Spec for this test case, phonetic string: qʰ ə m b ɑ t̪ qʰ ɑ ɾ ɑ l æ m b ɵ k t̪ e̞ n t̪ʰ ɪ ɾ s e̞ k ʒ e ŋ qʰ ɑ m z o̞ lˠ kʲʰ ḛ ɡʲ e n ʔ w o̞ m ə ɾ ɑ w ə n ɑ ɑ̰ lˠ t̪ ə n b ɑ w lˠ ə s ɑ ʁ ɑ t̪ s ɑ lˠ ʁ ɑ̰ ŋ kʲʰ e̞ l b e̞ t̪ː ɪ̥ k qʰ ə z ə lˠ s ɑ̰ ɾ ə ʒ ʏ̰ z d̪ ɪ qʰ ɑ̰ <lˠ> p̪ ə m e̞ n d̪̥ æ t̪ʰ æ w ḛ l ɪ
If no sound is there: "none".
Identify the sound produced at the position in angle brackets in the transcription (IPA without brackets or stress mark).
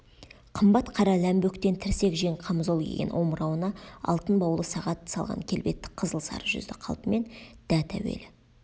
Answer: lˠ